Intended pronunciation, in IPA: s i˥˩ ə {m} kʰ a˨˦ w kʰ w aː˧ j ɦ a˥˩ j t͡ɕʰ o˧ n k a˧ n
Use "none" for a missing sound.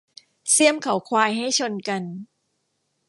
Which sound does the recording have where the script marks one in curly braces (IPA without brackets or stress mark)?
m